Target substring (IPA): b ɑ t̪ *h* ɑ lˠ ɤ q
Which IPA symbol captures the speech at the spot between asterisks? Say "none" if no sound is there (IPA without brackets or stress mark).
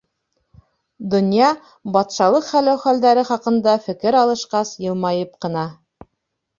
ʃ